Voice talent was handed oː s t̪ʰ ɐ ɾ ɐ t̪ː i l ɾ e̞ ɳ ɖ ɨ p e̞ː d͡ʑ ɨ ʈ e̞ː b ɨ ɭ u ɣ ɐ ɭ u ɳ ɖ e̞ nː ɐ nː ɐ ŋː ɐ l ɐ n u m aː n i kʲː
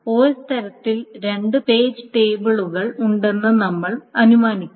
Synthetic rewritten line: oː s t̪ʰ ɐ ɾ ɐ t̪ː i l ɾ e̞ ɳ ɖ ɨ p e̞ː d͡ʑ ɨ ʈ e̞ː b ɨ ɭ u ɣ ɐ ɭ u ɳ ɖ e̞ nː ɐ n ɐ mː ɐ ɭ ɐ n u m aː n i kʲː